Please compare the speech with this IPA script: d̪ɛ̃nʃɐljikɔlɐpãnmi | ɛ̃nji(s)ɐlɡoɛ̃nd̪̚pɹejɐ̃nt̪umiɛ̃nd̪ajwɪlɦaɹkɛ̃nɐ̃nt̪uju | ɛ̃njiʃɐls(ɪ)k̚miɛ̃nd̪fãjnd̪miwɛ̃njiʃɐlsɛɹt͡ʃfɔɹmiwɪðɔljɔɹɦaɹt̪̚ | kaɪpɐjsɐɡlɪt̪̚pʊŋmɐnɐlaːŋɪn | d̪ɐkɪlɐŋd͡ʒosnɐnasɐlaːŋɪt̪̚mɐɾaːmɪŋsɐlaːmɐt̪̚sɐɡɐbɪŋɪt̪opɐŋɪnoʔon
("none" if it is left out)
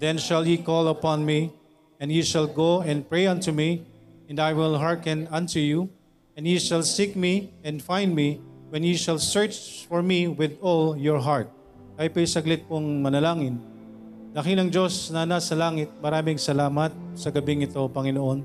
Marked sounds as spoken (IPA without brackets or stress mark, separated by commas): ʃ, i